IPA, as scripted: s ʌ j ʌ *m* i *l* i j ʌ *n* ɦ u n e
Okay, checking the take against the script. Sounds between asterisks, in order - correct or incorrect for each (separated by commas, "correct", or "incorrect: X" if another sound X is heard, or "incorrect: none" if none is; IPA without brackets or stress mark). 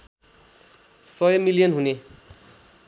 correct, correct, correct